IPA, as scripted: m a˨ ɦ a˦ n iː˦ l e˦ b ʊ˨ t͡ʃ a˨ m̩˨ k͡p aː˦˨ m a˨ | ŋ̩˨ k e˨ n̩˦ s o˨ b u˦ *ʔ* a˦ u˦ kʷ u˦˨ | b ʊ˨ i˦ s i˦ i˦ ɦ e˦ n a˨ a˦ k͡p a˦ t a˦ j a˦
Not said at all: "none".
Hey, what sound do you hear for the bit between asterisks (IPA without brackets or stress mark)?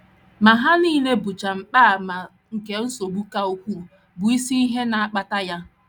k